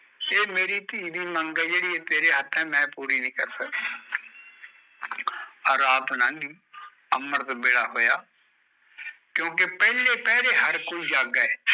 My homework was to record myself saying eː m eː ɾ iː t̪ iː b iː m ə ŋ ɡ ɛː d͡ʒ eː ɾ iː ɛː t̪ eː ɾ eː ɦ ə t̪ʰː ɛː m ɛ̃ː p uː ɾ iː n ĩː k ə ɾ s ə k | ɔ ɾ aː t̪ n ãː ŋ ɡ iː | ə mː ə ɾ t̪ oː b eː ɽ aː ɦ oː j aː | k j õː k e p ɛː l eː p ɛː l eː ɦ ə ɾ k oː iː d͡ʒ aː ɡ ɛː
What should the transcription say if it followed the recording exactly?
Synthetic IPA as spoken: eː m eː ɾ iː t̪ iː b iː m ə ŋ ɡ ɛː d͡ʒ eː ɽ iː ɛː t̪ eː ɾ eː ɦ ə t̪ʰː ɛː m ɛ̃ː p uː ɾ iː n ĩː k ə ɾ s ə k | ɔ ɾ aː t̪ n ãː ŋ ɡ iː | ə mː ə ɾ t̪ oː b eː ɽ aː ɦ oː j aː | k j õː k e p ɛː l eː p ɛː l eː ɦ ə ɾ k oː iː d͡ʒ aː ɡ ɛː